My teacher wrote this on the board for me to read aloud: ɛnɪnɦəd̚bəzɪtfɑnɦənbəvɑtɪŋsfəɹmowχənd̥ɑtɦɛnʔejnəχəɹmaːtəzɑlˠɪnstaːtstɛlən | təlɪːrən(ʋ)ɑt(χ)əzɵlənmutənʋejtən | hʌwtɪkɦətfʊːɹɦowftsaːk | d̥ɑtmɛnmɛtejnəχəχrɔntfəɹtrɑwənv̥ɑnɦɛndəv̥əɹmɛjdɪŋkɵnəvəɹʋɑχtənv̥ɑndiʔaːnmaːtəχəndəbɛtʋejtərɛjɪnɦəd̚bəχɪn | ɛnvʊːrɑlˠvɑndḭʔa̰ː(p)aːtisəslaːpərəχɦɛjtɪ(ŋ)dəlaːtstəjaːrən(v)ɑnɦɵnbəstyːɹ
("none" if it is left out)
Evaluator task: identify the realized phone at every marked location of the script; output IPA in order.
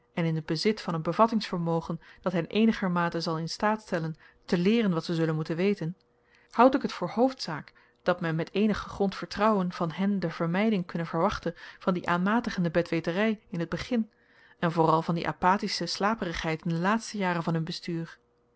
ʋ, s, p, n, v

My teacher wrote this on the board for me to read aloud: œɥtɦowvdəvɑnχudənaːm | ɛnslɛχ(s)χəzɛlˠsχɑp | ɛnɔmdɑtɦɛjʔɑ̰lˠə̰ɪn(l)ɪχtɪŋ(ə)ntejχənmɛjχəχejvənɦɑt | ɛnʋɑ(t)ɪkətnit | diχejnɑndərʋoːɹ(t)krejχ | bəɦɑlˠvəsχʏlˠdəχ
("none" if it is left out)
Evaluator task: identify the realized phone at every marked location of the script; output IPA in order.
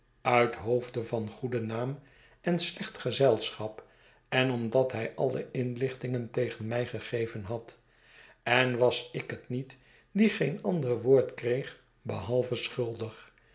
t, l, ə, s, t

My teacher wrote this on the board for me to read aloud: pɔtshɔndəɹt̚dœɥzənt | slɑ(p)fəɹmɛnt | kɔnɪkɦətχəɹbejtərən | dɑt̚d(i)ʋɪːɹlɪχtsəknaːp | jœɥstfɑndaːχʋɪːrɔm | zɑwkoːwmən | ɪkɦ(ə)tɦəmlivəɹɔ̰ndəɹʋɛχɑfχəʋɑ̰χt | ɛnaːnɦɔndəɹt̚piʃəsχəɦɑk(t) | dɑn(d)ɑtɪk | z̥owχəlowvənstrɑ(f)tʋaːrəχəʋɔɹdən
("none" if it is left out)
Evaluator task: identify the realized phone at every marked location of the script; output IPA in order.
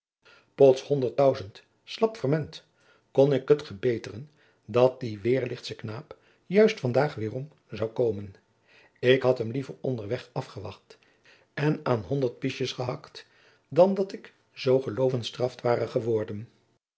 p, i, ɑ, t, d, f

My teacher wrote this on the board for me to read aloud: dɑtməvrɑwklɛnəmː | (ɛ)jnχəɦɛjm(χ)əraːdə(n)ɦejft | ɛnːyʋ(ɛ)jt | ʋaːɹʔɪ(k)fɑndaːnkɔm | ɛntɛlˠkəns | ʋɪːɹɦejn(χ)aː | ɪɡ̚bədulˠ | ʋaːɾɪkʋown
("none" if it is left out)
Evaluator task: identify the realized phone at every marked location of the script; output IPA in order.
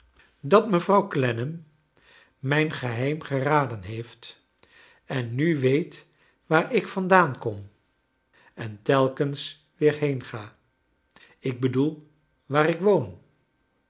ɛ, χ, n, e, k, χ

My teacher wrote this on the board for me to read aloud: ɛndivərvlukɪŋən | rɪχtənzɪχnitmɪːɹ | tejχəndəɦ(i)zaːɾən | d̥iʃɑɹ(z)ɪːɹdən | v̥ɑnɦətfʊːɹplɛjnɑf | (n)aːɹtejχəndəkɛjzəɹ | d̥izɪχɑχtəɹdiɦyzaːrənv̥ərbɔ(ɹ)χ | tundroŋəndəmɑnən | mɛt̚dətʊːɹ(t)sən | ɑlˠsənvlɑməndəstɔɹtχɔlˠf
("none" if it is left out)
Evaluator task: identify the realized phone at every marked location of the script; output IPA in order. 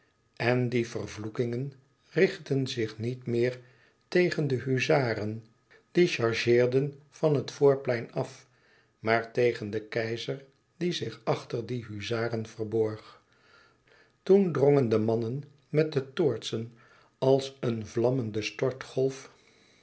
y, ʒ, m, ɹ, t

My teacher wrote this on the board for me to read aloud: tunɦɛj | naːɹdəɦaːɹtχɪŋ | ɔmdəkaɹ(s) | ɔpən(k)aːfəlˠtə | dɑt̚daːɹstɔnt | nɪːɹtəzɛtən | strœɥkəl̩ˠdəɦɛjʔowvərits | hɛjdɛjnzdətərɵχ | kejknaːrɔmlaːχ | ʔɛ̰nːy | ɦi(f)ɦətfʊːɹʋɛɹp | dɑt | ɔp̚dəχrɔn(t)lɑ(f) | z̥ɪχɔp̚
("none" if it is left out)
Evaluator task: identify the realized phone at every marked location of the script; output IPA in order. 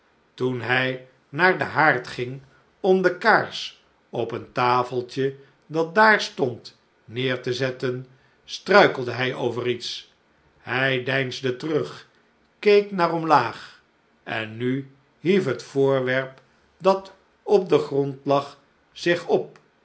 s, t, f, t, χ

